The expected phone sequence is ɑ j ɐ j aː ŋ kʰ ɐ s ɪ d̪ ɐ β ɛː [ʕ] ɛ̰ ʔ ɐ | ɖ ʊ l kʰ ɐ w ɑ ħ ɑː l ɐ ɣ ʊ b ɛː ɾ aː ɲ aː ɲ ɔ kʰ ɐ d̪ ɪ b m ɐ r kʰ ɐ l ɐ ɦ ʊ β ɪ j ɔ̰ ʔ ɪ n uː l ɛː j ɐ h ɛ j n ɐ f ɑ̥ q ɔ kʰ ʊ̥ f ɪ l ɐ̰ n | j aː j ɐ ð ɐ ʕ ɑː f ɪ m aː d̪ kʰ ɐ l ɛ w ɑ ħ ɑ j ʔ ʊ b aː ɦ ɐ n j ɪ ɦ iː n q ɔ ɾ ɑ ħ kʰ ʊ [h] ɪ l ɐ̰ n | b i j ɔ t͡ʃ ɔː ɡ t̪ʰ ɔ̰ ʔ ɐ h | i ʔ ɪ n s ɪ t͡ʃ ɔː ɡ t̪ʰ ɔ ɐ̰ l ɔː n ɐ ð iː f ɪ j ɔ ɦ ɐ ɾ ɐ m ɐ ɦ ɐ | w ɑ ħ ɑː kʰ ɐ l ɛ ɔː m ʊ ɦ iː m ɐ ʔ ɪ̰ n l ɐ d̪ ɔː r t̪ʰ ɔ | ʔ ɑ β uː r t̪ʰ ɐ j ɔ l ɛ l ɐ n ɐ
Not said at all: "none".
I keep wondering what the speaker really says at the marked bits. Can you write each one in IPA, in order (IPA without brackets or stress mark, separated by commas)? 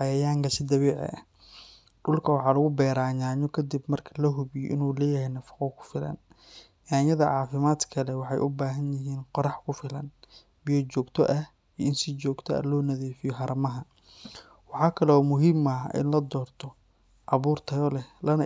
ʕ, f